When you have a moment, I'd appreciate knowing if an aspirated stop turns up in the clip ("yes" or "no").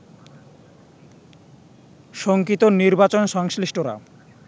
no